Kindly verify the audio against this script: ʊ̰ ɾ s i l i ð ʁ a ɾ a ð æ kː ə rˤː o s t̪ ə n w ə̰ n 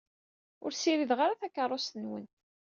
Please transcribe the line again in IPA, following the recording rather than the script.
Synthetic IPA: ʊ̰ ɾ s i ɾ i ð ʁ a ɾ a θ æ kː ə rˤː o s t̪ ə n w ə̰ n